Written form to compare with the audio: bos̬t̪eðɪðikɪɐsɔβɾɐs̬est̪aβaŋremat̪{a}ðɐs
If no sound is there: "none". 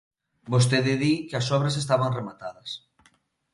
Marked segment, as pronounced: a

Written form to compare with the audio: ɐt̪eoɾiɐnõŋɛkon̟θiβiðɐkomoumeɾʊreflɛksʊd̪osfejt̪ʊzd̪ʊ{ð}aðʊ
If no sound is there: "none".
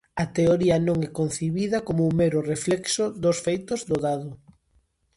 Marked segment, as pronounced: ð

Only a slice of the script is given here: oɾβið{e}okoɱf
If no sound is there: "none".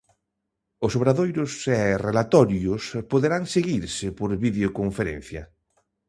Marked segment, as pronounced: e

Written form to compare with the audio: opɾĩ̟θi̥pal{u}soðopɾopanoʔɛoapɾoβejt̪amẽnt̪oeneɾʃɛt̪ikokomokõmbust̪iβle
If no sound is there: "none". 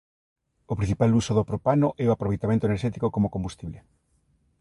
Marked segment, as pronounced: u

